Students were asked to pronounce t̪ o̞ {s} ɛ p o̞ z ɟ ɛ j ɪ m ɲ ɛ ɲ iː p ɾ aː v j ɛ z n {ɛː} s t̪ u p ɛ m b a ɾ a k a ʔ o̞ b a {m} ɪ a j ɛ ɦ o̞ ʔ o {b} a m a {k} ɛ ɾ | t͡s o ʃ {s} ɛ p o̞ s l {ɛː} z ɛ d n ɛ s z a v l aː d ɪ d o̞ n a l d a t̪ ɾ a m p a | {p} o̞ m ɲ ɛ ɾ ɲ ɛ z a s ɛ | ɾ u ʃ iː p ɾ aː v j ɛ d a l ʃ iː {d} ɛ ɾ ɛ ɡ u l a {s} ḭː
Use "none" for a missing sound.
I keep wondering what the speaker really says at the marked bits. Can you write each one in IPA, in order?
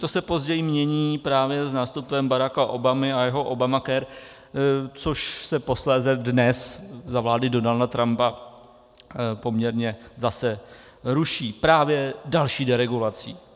s, aː, m, b, k, s, ɛː, p, d, t͡s

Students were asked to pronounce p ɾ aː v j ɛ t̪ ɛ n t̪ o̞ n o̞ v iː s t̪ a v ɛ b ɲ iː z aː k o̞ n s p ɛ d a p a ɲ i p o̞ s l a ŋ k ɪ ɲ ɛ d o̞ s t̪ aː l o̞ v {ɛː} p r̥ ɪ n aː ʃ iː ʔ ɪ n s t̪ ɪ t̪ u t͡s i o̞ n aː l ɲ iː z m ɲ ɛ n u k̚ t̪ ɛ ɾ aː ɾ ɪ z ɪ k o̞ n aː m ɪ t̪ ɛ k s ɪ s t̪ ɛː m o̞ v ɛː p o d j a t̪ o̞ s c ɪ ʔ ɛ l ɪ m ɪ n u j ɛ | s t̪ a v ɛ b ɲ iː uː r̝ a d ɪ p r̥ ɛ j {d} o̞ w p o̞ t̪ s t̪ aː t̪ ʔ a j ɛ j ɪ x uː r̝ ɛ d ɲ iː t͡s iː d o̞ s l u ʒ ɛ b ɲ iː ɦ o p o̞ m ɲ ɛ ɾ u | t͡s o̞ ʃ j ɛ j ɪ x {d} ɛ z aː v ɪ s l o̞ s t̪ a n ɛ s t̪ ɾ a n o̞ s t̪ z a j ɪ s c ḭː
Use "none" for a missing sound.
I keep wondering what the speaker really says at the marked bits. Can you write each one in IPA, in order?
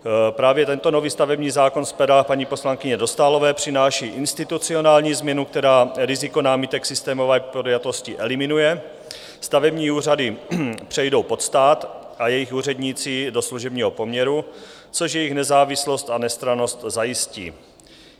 ɛː, d, n

